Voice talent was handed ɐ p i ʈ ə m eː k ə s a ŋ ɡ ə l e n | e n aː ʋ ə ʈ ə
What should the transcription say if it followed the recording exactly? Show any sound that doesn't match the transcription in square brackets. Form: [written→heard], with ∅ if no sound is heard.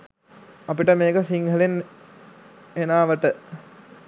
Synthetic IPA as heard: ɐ p i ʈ ə m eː k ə s [a→i] ŋ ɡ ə l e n | e n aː ʋ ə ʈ ə